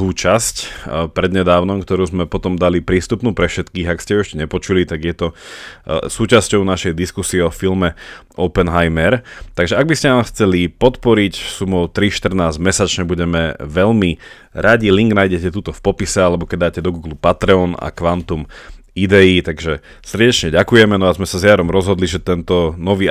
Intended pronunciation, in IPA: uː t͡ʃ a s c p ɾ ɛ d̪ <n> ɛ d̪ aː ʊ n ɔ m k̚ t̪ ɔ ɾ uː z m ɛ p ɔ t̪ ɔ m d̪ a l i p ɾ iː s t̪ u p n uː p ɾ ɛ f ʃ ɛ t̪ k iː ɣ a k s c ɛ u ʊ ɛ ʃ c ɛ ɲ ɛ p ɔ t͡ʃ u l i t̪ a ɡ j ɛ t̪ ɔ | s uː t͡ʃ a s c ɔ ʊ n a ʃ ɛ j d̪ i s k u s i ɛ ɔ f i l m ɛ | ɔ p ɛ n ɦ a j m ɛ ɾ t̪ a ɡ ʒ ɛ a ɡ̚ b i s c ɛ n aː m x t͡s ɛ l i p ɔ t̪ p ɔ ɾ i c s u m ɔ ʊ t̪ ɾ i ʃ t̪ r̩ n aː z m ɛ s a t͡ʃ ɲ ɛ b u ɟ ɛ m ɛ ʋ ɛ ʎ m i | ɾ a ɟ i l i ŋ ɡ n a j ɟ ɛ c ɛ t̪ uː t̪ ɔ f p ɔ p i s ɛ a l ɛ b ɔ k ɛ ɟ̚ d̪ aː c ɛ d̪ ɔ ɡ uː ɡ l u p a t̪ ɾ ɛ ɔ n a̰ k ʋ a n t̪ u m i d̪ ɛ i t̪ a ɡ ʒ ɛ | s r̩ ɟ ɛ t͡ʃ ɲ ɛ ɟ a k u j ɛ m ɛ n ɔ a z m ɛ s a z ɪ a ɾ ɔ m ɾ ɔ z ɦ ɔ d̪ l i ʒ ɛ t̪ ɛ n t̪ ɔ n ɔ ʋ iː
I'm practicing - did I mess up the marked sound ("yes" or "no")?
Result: yes